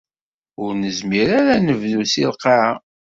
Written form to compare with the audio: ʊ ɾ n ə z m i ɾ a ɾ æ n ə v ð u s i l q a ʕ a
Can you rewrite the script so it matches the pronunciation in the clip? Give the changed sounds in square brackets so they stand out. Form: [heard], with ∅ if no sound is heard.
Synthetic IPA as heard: ʊ ɾ n ə z m i ɾ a ɾ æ n ə v ð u s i l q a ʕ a

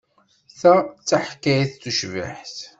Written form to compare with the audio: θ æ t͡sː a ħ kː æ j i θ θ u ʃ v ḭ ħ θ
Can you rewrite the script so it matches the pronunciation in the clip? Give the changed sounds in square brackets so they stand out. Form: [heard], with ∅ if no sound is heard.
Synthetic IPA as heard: θ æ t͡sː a ħ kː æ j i θ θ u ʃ v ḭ ħ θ

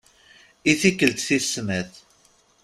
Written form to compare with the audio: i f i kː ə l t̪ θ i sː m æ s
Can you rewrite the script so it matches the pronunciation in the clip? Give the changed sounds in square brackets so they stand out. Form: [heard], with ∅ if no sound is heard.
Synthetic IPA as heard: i [θ] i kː ə l t̪ θ i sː m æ [θ]

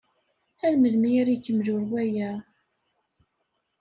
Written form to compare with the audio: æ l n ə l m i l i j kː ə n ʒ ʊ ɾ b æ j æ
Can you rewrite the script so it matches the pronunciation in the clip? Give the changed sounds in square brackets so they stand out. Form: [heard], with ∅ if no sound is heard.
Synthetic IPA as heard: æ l [m] ə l m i [ɾ] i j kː ə [m] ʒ ʊ ɾ [w] æ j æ

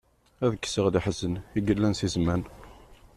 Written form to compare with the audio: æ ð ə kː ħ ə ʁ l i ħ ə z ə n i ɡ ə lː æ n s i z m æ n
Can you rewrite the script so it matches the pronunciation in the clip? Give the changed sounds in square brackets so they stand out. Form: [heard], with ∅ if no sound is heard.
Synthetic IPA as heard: æ ð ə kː [s] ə ʁ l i ħ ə z ə n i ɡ ə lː æ n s i z m æ n

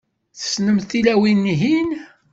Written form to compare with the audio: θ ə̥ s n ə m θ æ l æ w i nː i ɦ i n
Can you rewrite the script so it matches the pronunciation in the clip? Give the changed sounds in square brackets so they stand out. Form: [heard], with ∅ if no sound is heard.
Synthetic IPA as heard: θ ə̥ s n ə m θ [i] l æ w i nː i ɦ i n

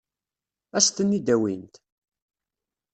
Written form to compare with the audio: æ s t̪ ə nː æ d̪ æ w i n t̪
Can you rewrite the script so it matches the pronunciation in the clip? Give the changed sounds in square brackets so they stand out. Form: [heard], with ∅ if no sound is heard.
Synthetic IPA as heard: æ s t̪ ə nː [i] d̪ æ w i n t̪

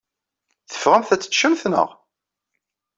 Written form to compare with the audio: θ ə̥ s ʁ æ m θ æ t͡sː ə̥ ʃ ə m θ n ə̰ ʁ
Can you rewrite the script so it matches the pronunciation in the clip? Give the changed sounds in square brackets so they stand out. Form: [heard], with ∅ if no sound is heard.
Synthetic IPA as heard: θ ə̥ [f] ʁ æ m θ æ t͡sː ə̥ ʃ ə m θ n ə̰ ʁ

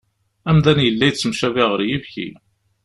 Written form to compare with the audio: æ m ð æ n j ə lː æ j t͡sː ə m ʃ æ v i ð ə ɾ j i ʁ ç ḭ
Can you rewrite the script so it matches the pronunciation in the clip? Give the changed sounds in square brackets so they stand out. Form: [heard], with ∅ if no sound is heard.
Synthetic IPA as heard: æ m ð æ n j ə lː æ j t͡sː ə m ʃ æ v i [ʁ] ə ɾ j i [v] ç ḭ

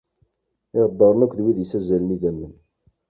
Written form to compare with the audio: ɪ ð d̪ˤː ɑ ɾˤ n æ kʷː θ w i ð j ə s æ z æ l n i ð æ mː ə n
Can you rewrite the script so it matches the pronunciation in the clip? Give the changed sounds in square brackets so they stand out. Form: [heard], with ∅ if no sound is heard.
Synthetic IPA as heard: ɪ [ʁ] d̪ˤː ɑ ɾˤ n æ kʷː [ð] w i ð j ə s æ z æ l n i ð æ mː ə n

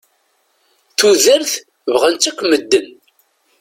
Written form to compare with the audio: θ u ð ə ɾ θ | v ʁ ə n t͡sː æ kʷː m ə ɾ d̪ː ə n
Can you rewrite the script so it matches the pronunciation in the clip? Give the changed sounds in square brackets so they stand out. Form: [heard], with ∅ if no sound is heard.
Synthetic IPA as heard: θ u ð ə ɾ θ | v ʁ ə n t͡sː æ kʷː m ə [∅] d̪ː ə n

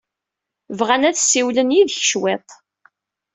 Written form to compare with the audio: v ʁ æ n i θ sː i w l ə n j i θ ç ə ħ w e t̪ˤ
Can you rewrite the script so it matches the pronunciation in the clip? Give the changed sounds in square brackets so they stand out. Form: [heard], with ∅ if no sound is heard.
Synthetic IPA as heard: v ʁ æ n [æ] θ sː i w l ə n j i [ð] ç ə [ʃ] w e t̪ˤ

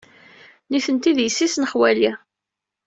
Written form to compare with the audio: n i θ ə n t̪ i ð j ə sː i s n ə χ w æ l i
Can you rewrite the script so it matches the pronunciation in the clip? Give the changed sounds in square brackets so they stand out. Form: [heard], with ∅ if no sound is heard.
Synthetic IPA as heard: n i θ ə n t̪ i ð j ə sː i s n ə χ w æ l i

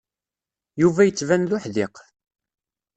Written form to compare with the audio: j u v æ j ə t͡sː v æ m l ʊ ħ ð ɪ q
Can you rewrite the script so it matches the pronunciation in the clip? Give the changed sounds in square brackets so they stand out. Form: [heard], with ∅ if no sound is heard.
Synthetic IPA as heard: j u v æ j ə t͡sː v æ [n] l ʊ ħ ð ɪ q

